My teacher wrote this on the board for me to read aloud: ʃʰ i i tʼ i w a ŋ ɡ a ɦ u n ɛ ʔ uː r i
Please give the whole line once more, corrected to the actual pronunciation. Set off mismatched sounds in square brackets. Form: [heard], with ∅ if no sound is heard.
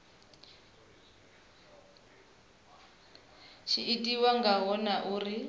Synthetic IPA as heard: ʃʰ i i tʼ i w a ŋ ɡ a ɦ [ɔ] n [a] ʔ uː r i